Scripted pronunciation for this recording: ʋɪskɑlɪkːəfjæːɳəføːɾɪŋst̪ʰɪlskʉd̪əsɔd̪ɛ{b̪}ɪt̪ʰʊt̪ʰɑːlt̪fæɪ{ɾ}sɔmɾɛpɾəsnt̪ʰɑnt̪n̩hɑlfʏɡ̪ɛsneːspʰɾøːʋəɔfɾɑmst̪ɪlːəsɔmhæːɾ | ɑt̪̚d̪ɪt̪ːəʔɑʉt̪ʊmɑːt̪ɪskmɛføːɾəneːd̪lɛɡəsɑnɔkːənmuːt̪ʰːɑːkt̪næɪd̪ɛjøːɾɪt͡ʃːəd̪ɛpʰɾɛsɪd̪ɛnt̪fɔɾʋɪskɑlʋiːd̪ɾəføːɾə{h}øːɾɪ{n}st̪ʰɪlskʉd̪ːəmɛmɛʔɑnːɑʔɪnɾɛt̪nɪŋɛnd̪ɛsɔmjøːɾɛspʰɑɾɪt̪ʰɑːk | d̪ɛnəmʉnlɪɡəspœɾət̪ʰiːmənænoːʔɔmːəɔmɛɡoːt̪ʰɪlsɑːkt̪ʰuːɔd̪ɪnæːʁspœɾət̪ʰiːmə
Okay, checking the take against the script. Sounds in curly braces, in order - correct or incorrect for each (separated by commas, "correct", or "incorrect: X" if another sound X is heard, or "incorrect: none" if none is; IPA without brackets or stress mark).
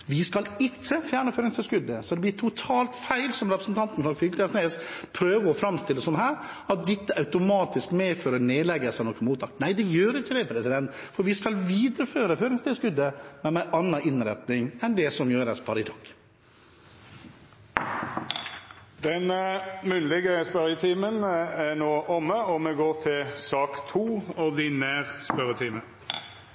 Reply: correct, incorrect: l, incorrect: f, incorrect: ŋ